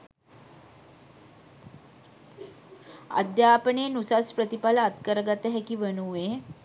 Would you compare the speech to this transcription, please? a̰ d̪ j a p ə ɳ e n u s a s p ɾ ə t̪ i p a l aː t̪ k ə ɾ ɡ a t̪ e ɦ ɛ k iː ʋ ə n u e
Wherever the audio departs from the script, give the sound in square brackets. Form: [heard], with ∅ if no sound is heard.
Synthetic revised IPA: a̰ d̪ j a p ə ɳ e n u s a s p ɾ ə t̪ i p a l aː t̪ k ə ɾ ɡ a t̪ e ɦ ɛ k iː ʋ ə n u e